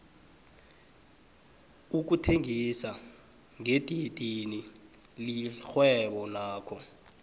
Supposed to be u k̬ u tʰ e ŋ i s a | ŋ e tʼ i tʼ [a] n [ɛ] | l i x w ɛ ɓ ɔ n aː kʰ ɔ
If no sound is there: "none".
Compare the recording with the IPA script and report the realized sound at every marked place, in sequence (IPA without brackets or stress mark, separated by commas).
i, i